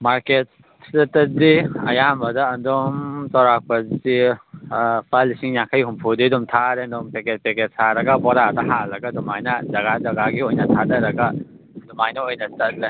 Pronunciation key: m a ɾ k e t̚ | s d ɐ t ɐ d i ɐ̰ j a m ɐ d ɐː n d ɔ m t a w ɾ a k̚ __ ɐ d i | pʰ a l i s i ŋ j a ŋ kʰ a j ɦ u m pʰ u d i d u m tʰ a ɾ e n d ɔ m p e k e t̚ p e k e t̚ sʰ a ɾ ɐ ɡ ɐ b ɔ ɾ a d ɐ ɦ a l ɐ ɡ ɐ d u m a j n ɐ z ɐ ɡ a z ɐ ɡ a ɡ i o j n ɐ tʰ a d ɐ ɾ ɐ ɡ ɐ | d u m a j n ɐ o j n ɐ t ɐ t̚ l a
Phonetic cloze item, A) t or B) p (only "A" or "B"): B